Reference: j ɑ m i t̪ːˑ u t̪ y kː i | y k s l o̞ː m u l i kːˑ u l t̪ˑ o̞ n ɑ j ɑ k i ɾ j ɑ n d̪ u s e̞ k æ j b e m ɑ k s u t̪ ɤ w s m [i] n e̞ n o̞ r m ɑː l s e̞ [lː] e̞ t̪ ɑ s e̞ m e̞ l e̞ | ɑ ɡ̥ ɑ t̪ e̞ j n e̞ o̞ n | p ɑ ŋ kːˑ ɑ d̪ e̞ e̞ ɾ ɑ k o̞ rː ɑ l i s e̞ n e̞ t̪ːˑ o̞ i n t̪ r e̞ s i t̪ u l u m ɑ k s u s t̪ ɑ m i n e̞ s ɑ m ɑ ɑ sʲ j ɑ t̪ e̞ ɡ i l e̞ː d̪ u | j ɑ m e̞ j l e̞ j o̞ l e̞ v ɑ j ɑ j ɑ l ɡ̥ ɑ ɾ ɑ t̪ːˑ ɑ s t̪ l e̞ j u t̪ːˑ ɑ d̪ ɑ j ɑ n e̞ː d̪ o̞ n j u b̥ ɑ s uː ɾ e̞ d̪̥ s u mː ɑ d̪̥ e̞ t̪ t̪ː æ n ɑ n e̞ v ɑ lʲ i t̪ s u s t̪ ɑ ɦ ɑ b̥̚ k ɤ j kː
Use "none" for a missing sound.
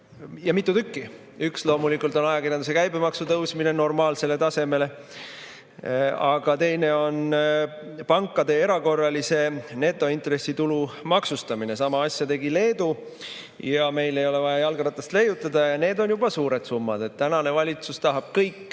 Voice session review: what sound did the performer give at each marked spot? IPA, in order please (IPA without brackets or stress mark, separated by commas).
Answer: i, l